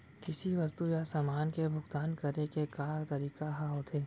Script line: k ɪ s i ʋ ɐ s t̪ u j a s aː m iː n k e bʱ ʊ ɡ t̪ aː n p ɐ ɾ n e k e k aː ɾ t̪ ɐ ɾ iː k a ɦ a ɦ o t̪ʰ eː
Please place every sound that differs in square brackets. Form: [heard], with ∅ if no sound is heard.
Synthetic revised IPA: k ɪ s i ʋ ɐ s t̪ u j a s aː m [aː] n k e bʱ ʊ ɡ t̪ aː n [k] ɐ ɾ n e k e k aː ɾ t̪ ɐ ɾ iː k a ɦ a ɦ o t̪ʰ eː